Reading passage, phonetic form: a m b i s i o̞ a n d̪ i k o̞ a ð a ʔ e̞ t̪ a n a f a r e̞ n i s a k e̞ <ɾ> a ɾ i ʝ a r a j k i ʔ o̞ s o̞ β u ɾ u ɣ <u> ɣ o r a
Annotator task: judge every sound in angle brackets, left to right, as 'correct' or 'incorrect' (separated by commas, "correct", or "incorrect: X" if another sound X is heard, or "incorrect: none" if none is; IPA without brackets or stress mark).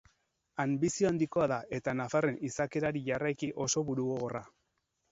correct, incorrect: o